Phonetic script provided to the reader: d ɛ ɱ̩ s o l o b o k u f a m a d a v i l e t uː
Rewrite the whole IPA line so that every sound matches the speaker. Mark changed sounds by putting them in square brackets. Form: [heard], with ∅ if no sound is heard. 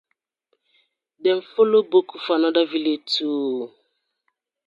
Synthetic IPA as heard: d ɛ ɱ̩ [f] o l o b o k u f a [n] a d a v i l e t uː